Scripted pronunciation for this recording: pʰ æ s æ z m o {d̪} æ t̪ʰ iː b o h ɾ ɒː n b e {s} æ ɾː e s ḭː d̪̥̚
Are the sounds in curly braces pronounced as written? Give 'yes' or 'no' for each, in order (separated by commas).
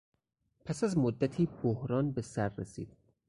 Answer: no, yes